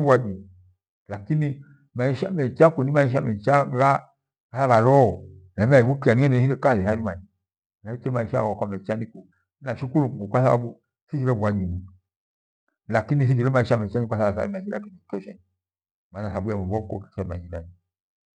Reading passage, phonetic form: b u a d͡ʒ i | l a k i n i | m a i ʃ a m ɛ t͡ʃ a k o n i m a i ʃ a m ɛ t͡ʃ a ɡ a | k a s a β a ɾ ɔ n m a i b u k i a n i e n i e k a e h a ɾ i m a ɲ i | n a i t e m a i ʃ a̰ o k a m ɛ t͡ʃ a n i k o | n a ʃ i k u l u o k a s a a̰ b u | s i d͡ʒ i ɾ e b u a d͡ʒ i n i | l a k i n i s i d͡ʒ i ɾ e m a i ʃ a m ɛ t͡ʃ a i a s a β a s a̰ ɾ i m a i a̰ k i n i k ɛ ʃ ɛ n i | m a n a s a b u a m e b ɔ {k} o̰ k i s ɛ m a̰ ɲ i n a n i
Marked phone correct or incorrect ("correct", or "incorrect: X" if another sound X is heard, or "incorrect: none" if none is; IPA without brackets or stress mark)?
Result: correct